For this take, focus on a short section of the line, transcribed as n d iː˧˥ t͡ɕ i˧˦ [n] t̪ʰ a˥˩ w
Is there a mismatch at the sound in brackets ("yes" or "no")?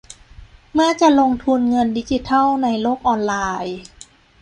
yes